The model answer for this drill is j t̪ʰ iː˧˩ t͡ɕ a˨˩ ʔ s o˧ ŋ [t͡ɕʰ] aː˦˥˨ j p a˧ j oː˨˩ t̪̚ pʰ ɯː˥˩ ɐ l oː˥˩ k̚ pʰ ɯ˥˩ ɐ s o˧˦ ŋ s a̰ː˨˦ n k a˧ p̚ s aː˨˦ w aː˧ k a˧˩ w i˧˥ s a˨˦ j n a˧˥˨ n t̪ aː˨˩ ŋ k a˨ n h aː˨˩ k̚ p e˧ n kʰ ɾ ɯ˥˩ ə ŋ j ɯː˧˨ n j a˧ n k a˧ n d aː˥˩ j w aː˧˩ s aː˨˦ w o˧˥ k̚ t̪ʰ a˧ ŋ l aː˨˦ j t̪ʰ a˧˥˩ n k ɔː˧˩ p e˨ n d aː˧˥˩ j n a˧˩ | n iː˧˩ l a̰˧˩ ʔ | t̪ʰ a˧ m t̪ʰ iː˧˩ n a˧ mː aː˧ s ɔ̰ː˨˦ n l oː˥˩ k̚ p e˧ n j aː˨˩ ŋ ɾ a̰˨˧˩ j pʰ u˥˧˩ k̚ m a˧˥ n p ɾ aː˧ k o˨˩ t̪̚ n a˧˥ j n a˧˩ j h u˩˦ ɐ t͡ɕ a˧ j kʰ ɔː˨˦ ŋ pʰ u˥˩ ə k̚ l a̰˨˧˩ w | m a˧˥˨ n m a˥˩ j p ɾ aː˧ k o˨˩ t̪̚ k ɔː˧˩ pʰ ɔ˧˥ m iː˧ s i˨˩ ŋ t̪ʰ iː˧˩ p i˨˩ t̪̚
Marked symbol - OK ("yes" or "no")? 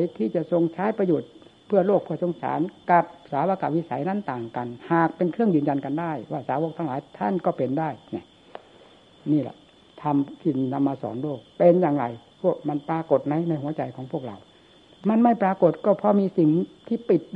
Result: yes